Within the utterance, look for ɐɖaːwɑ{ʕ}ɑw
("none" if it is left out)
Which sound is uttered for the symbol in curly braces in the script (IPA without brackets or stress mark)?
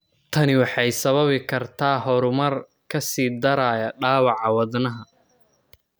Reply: ʕ